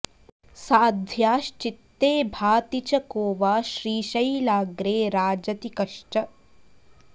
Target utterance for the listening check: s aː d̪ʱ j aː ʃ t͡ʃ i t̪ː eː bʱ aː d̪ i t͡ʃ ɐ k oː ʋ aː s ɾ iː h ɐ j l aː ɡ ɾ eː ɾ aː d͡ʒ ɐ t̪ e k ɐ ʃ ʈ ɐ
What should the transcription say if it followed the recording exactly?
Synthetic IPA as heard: s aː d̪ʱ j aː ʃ t͡ʃ i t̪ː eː bʱ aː t̪ i t͡ʃ ɐ k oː ʋ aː ʃ ɾ iː ʃ ɐ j l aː ɡ ɾ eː ɾ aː d͡ʒ ɐ t̪ i k ɐ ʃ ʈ ɐ